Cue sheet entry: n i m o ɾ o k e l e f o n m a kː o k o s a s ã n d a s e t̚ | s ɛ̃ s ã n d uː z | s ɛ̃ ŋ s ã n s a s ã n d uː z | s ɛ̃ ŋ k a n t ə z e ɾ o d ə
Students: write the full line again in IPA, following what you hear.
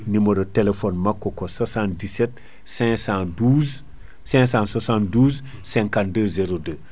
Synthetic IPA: n i m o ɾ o t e l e f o n m a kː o k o s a s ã n d i s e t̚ | s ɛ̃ s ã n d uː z | s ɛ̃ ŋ s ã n s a s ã n d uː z | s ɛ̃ ŋ k a n d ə z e ɾ o d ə